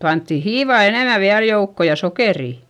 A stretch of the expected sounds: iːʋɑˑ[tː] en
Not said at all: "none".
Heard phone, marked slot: none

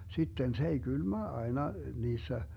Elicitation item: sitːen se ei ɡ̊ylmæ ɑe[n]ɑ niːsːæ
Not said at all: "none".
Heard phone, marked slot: n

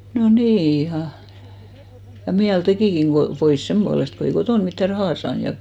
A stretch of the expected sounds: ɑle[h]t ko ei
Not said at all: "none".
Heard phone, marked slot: s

